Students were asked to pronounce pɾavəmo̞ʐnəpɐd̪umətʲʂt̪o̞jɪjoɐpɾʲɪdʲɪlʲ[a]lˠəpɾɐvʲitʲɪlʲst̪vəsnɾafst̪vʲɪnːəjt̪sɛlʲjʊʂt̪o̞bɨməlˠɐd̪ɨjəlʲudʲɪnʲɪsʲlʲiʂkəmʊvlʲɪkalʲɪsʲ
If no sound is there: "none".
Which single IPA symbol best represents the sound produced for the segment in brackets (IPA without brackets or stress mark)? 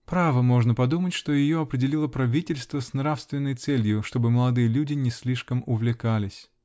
i